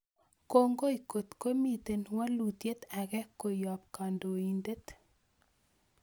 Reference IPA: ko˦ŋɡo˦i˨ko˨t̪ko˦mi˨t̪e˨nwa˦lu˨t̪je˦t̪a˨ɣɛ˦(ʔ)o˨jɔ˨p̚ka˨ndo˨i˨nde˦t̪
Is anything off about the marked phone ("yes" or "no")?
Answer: yes